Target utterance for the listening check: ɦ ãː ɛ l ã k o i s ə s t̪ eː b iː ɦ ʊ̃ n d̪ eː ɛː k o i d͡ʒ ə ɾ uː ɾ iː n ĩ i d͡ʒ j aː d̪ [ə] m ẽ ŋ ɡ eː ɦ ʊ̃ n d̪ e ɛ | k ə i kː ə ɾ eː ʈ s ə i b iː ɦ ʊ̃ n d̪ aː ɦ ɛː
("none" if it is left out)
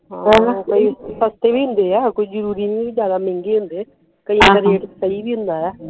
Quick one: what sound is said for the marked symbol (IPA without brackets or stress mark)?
a